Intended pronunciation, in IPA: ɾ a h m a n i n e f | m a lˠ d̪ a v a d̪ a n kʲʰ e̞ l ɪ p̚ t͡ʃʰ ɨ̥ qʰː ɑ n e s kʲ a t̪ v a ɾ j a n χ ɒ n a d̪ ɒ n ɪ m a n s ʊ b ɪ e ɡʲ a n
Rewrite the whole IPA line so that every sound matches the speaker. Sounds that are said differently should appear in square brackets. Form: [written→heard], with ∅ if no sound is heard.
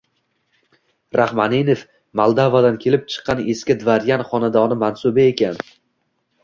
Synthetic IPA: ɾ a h m a n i n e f | m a lˠ d̪ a v a d̪ a n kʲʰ e̞ l ɪ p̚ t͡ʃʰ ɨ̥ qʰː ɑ n e s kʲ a [t̪→d̪] v a ɾ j a n χ ɒ n a d̪ ɒ n ɪ m a n s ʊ b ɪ e [ɡʲ→kʲ] a n